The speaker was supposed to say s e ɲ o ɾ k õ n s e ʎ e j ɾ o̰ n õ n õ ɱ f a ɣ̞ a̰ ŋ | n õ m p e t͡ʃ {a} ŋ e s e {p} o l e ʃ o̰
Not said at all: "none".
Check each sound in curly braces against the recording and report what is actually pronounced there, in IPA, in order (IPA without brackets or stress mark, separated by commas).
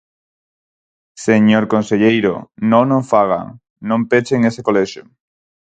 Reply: e, k